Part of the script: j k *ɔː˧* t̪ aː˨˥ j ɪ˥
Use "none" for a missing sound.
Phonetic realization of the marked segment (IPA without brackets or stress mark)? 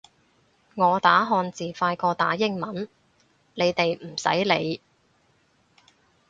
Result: ɔː˧